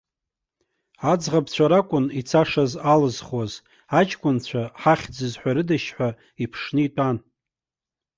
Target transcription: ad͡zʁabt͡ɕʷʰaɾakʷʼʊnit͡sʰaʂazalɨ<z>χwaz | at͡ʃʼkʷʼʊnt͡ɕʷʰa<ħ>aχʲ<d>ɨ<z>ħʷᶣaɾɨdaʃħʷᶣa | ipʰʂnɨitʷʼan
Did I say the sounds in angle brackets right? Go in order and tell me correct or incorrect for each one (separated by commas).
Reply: correct, correct, incorrect, correct